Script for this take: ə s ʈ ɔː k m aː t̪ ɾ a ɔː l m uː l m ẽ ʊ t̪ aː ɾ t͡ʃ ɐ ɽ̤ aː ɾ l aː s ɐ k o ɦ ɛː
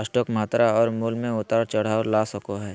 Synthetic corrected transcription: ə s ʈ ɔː k m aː t̪ ɾ a ɔː ɾ m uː l m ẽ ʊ t̪ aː ɾ t͡ʃ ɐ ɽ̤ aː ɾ l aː s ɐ k o ɦ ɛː